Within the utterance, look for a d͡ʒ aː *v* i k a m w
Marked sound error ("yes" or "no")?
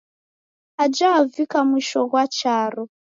no